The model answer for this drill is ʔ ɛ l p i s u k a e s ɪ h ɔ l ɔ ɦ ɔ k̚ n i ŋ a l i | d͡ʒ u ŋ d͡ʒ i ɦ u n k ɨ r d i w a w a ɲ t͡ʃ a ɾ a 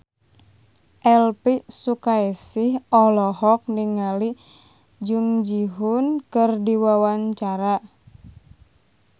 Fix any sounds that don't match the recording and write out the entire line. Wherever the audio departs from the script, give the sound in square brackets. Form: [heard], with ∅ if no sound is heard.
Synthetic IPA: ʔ ɛ l p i s u k a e s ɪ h ɔ l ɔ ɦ ɔ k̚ n i ŋ a l i | d͡ʒ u ŋ d͡ʒ i ɦ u n k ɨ r d i w a w a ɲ t͡ʃ a ɾ a